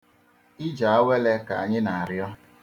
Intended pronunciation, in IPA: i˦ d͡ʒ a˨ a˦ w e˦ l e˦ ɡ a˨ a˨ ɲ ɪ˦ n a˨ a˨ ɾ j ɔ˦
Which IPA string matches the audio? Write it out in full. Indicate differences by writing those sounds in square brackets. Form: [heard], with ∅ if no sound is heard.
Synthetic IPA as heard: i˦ d͡ʒ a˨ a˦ w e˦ l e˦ [k] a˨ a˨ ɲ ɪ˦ n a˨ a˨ ɾ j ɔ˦